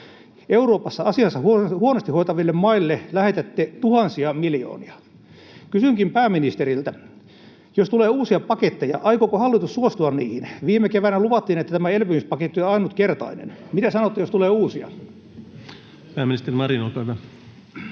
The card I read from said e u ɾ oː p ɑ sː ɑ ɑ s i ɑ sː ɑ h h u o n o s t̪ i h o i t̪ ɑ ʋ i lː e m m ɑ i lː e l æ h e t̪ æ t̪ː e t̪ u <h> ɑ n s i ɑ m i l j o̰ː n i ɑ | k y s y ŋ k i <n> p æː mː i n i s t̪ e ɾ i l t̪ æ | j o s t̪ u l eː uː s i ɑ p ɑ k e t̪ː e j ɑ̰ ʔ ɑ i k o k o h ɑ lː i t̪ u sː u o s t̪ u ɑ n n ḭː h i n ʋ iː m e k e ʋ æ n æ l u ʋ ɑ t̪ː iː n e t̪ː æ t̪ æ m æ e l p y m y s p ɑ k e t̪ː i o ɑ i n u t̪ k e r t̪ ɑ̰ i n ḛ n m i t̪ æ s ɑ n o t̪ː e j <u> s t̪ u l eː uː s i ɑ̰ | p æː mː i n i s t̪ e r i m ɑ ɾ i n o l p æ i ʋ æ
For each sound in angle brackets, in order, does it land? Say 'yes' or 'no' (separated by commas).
yes, no, no